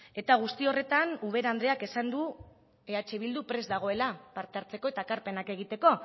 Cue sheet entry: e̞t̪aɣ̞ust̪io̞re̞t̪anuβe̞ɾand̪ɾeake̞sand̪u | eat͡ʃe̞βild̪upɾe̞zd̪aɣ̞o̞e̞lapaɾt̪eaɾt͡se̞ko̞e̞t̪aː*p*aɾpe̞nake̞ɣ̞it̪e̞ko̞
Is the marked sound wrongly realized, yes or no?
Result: yes